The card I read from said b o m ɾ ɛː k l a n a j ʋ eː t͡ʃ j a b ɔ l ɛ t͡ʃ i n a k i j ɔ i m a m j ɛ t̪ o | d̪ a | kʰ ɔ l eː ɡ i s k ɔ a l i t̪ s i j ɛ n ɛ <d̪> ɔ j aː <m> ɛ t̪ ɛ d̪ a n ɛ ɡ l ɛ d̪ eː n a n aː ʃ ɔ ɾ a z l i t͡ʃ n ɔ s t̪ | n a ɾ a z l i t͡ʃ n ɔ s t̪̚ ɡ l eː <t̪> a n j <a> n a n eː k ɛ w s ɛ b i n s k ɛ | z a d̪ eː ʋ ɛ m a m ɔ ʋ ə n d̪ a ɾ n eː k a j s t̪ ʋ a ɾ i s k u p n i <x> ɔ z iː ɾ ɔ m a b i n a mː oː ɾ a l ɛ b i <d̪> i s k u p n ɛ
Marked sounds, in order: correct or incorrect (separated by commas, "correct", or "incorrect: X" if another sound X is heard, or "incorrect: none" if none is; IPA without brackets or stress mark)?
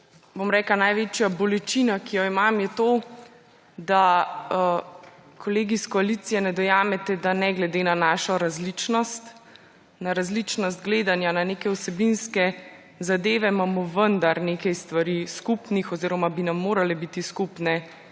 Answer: correct, correct, incorrect: d̪, correct, correct, incorrect: t̪